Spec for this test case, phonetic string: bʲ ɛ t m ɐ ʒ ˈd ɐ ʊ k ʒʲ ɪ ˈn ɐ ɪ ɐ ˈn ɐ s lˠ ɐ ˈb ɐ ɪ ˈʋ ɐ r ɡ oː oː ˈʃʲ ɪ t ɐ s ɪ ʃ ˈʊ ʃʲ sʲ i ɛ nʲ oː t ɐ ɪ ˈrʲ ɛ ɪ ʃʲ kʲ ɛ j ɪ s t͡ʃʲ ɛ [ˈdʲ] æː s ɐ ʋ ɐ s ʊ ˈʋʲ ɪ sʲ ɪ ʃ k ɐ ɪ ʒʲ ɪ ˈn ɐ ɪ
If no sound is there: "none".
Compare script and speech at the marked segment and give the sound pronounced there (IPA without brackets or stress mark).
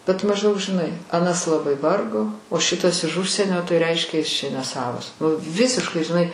nʲ